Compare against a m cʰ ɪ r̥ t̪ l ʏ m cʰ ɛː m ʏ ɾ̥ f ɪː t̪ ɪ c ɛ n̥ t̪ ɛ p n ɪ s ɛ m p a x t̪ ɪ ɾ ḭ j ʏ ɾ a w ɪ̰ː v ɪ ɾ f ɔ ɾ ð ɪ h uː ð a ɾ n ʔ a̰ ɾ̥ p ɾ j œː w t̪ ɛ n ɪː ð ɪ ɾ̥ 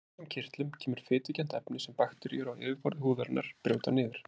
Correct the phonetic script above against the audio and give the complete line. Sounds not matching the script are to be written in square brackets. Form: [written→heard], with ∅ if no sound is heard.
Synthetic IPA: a m cʰ ɪ r̥ t̪ l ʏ m cʰ ɛː m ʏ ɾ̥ f ɪː t̪ ɪ c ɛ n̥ t̪ ɛ p n ɪ s ɛ m p a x t̪ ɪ ɾ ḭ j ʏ ɾ a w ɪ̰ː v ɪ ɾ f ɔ ɾ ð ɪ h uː ð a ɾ n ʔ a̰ ɾ̥ p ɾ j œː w t̪ [ɛ→a] n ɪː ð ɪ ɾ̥